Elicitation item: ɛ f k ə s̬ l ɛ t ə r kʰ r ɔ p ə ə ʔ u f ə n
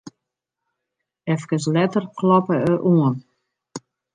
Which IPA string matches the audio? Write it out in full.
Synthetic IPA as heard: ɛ f k ə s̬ l ɛ t ə r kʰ l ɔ p ə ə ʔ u ə n